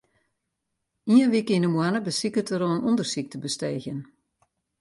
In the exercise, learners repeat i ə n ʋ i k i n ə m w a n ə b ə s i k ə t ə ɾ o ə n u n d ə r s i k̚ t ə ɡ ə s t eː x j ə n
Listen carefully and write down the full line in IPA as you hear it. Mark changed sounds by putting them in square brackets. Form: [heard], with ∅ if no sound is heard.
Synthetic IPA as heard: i ə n ʋ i k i n ə m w a n ə b ə s i k ə t ə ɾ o ə n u n d ə r s i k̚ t ə [b] ə s t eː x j ə n